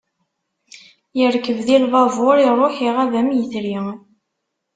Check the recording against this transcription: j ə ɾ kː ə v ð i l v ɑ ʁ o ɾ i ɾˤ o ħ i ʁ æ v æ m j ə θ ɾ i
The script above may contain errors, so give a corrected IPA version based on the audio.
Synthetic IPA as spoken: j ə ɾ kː ə v ð i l v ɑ v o ɾ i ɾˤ o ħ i ʁ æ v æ m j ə θ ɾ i